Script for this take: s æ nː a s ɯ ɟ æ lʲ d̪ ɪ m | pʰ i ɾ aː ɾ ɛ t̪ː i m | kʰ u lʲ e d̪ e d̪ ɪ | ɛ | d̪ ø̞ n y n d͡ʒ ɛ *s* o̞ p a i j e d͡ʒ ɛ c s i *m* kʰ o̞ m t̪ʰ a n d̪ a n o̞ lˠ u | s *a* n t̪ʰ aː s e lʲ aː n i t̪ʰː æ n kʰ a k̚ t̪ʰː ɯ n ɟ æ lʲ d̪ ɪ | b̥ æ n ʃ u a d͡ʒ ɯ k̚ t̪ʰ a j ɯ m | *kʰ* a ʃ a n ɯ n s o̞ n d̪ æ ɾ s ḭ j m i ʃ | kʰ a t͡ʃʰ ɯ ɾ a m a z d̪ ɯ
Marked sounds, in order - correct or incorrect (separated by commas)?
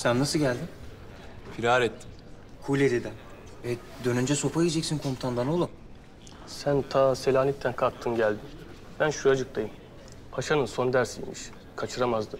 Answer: correct, incorrect, incorrect, incorrect